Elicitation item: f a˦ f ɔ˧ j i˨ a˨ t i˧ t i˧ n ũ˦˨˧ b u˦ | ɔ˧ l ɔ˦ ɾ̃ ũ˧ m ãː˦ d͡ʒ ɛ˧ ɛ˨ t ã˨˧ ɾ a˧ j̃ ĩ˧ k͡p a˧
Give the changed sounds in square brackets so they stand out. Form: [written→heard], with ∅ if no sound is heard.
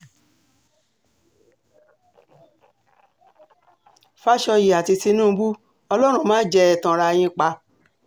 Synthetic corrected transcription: f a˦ [f→ʃ] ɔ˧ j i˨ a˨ t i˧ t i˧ n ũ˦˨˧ b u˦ | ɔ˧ l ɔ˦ ɾ̃ ũ˧ m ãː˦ d͡ʒ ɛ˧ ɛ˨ t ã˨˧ ɾ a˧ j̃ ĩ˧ k͡p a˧